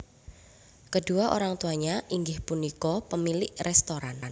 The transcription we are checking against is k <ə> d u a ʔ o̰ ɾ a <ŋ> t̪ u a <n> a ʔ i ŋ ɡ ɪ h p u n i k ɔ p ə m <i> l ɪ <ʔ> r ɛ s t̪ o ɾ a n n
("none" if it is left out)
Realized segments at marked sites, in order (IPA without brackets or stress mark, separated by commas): ə, ŋ, ɲ, i, ʔ